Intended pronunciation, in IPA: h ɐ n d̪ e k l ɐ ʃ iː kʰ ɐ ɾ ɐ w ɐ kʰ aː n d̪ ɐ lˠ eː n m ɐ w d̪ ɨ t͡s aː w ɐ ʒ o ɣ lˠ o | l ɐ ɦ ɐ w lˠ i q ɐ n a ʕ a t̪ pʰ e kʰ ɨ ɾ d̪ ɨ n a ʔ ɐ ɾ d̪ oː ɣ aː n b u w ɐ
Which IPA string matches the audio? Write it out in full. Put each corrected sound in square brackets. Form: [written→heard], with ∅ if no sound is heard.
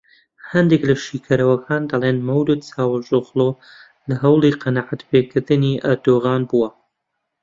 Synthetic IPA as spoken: h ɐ n d̪ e k l ɐ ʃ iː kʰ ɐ ɾ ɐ w ɐ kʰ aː n d̪ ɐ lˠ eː n m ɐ w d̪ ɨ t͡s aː w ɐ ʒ o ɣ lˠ o | l ɐ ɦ ɐ w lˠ i q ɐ n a ʕ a t̪ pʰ e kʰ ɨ ɾ d̪ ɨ n [a→i] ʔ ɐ ɾ d̪ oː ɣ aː n b u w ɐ